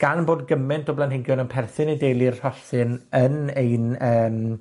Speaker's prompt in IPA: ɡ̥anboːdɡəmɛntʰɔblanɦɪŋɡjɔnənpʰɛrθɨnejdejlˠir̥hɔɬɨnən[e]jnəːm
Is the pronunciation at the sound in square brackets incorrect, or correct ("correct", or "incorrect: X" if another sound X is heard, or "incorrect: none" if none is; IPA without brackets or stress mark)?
correct